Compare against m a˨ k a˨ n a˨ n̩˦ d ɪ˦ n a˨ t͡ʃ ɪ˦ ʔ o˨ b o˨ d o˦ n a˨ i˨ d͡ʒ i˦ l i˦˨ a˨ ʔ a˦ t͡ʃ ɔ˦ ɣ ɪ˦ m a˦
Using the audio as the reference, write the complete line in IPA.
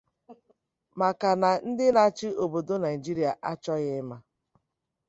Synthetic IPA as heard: m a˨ k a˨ n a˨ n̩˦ d ɪ˦ n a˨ t͡ʃ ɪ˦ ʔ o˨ b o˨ d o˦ n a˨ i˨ d͡ʒ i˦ ɾ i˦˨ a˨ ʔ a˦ t͡ʃ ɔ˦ ɣ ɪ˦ m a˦